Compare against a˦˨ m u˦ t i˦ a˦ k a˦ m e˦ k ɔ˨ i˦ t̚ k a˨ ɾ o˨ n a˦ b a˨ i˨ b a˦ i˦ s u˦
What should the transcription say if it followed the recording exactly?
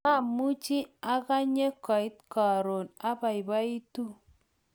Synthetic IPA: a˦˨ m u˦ t͡ʃ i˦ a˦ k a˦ ɲ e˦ k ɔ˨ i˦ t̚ k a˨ ɾ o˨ n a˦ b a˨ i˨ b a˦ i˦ t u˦